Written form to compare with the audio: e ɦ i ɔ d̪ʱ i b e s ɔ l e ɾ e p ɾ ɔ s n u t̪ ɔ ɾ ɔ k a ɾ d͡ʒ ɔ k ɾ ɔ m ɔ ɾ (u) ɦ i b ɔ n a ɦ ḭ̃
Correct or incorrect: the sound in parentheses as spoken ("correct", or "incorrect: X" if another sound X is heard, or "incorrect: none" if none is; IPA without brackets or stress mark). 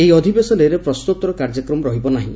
incorrect: ɔ